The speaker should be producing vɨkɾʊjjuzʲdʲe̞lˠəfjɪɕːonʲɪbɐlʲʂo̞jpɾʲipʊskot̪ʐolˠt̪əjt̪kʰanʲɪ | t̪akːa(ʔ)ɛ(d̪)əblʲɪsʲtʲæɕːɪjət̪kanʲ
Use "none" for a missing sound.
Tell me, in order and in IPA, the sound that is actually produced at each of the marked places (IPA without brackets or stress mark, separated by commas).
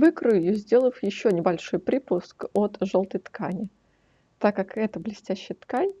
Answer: k, t̪